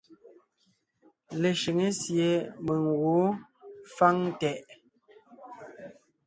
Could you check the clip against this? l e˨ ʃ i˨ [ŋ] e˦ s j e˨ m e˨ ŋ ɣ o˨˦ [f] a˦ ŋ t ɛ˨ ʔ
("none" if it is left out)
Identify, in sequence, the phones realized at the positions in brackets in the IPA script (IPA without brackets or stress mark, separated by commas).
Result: ŋ, f